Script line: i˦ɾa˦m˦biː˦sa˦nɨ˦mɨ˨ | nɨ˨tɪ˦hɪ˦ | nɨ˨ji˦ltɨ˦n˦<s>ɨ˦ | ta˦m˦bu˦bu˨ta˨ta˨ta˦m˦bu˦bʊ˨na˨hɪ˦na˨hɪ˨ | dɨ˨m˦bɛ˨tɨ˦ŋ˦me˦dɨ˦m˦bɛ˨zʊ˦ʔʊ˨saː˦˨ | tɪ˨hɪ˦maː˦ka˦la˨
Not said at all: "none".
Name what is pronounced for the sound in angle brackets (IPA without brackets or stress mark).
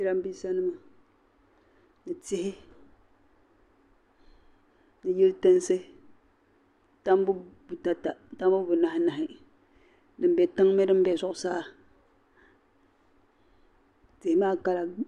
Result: s